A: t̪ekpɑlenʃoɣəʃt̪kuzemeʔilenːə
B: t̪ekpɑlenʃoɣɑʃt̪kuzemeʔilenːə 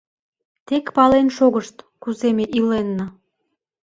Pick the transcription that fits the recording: A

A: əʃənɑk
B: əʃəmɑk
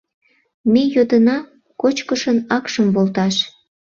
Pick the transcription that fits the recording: A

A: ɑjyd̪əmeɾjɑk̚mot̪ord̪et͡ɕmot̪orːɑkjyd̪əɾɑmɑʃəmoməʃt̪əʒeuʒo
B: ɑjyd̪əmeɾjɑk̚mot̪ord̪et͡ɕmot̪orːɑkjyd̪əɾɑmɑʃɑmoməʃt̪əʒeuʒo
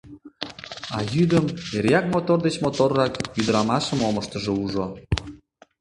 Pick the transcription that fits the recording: A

